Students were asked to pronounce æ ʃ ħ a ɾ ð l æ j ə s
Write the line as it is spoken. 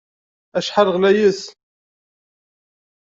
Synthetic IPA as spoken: æ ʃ ħ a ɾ ʁ l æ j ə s